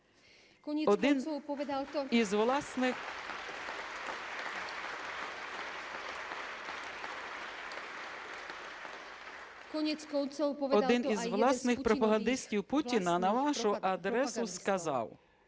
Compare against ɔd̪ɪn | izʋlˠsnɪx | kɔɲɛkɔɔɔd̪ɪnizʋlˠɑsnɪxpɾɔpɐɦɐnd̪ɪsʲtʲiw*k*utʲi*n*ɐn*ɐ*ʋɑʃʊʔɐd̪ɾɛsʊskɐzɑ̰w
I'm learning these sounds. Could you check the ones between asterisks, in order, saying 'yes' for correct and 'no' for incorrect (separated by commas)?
no, yes, yes